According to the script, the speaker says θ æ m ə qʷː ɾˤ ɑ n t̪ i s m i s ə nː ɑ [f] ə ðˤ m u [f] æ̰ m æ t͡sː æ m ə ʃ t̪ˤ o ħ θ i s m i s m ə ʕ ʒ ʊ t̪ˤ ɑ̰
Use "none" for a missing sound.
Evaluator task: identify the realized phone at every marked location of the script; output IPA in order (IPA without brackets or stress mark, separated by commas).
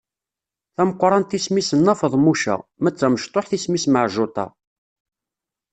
f, ʃ